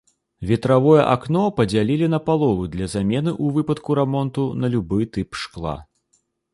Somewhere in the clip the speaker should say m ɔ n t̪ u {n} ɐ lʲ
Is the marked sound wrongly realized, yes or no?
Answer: no